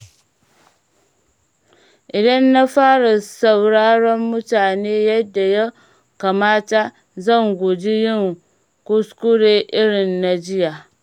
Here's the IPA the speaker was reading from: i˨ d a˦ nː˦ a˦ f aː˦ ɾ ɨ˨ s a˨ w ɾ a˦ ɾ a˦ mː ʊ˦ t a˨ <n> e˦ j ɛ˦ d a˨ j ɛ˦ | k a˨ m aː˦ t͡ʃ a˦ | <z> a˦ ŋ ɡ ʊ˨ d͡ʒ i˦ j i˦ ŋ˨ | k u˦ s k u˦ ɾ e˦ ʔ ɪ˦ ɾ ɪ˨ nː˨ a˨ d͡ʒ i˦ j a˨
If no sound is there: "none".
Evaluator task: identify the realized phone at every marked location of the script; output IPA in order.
n, z

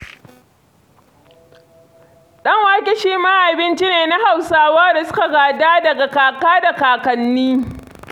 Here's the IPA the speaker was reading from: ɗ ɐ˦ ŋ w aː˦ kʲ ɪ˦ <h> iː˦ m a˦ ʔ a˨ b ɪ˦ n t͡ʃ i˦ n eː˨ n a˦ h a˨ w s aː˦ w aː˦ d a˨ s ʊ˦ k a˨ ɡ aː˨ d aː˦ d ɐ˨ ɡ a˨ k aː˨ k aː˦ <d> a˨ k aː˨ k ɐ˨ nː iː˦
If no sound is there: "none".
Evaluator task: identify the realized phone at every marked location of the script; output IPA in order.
ʃ, d

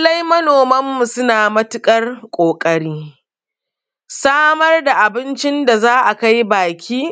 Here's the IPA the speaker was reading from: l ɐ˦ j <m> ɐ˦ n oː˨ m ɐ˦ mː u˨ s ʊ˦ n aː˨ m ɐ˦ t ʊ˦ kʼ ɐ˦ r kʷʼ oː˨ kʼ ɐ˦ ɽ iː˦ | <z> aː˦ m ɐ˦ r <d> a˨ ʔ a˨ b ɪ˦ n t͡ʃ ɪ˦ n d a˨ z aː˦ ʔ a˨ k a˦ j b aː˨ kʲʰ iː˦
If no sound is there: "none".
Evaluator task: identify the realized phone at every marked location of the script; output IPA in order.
m, s, d

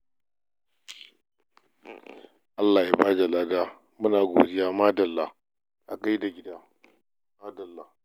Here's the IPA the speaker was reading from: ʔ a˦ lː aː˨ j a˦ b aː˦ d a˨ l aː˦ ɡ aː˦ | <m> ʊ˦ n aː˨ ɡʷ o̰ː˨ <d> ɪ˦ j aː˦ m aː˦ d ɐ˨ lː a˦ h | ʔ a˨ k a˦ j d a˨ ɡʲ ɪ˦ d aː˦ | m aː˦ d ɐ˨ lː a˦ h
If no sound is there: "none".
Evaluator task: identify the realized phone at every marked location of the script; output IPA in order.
m, d

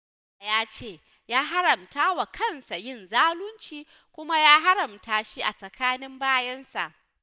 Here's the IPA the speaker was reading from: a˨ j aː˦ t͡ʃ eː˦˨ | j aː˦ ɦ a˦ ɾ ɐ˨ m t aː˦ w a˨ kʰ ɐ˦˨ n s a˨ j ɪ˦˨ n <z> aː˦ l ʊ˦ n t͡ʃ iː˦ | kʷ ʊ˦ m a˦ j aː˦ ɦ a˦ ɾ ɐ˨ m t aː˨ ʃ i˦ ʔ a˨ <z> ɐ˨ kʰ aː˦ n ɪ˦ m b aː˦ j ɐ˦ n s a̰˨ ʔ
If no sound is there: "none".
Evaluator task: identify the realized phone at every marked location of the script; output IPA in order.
z, s

